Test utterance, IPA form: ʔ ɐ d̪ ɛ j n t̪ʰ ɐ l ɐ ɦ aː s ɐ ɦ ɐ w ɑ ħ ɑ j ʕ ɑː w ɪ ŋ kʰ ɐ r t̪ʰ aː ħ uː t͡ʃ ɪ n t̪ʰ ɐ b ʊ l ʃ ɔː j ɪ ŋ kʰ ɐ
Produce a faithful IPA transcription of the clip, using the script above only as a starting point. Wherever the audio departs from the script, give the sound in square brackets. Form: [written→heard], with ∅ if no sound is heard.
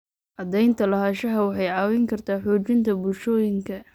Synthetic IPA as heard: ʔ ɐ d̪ ɛ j n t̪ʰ ɐ l ɐ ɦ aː [s→ʃ] ɐ ɦ ɐ w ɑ ħ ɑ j ʕ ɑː w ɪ ŋ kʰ ɐ r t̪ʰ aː ħ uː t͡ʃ ɪ n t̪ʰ ɐ b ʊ l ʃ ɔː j ɪ ŋ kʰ ɐ